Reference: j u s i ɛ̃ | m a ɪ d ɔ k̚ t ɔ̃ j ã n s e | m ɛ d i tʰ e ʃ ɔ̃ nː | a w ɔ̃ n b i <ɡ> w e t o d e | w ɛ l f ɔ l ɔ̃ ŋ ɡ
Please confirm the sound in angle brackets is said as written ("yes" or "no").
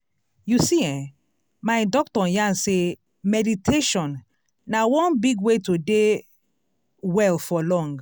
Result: yes